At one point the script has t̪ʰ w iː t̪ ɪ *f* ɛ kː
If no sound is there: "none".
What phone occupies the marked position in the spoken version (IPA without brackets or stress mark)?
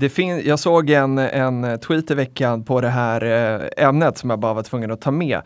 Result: v